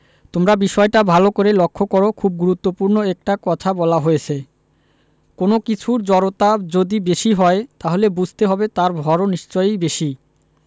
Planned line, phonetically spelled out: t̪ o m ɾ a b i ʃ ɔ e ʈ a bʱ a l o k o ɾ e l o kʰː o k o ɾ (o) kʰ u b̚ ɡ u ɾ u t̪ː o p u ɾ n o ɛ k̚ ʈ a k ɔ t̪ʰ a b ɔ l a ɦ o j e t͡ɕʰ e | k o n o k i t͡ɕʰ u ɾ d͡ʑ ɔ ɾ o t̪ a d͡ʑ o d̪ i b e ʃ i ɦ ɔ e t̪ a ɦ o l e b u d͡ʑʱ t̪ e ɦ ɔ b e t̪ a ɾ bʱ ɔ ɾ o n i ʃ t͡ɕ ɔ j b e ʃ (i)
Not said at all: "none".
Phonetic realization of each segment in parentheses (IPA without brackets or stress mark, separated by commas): o, i